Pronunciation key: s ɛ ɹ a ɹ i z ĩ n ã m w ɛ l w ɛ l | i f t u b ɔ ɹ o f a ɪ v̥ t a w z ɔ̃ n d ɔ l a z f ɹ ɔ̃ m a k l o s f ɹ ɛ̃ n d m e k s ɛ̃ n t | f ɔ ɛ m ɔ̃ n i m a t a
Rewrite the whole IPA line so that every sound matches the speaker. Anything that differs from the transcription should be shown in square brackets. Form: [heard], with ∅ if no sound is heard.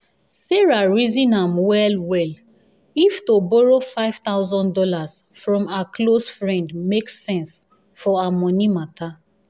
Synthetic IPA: s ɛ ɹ a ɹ i z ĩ n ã m w ɛ l w ɛ l | i f t [o] b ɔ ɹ o f a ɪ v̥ t a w z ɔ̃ n d ɔ l a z f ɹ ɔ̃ m a k l o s f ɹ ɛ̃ n d m e k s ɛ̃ n [s] | f ɔ [a] m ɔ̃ n i m a t a